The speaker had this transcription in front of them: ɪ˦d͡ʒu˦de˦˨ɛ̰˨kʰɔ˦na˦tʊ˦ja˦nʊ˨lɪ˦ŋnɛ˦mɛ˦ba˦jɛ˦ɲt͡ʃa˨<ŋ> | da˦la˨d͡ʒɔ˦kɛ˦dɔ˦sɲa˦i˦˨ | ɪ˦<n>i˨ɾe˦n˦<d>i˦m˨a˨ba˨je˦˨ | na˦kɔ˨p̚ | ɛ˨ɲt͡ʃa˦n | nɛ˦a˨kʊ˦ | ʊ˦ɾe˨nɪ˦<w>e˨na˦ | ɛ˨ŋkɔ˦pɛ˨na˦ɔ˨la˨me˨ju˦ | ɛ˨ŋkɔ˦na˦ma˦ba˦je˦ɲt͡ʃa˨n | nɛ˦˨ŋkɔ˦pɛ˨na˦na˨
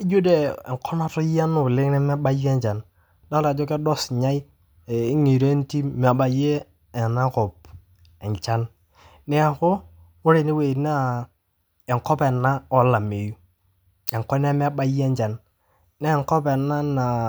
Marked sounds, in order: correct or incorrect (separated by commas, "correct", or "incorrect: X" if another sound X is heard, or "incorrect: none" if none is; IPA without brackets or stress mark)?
incorrect: n, incorrect: ŋ, incorrect: t, correct